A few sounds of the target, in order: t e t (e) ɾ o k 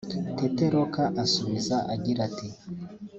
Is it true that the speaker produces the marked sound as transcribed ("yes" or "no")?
yes